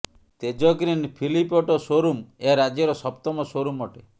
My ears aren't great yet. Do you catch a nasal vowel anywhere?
no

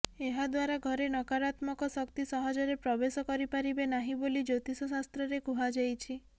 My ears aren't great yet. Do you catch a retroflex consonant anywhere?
no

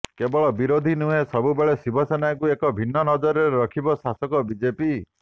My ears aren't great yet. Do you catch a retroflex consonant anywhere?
yes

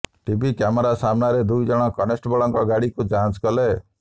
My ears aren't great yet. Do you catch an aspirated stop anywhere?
no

